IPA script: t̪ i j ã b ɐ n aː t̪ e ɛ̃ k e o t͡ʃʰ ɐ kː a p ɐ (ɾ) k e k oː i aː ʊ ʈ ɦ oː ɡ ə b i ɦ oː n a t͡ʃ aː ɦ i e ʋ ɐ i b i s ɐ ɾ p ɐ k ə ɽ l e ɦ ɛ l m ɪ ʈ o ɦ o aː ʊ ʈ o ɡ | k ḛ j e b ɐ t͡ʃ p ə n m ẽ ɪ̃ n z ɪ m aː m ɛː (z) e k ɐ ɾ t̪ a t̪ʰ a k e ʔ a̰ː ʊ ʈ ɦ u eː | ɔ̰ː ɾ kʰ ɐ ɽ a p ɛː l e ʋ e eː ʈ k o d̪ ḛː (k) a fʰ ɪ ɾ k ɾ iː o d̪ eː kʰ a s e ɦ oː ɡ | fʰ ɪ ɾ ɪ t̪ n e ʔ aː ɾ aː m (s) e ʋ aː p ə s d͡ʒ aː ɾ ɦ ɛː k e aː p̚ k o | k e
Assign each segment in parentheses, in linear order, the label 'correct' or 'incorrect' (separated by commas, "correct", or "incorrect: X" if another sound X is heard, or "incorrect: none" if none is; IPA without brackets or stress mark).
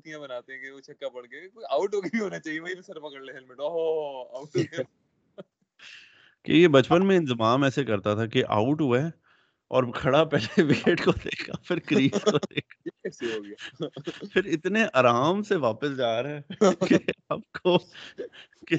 incorrect: ɽ, incorrect: s, incorrect: kʰ, correct